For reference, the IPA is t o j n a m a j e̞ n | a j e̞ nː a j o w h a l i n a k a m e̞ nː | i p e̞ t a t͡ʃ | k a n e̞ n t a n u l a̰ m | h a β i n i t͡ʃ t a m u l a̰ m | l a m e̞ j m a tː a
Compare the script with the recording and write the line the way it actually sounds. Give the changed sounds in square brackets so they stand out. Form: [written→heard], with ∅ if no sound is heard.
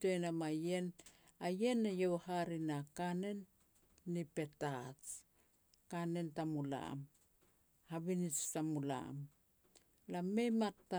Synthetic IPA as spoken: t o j n a m a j e̞ n | a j e̞ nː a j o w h a [l→ɾ] i n a k a [m→n] e̞ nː | i p e̞ t a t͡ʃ | k a n e̞ n t a [n→m] u l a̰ m | h a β i n i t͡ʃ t a m u l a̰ m | l a m e̞ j m a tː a